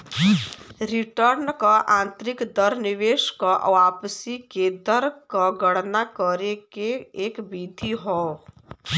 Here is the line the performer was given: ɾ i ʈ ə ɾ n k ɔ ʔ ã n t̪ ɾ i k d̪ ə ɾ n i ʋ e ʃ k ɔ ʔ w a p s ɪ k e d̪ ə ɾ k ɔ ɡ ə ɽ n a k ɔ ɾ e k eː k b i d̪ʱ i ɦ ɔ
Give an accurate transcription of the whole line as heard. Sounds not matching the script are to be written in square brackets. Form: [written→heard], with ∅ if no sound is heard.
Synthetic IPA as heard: ɾ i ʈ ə ɾ n k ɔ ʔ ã n t̪ ɾ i k d̪ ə ɾ n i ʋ e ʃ k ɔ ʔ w a p s [ɪ→i] k e d̪ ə ɾ k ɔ ɡ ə ɽ n a k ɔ ɾ e k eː k b i d̪ʱ i ɦ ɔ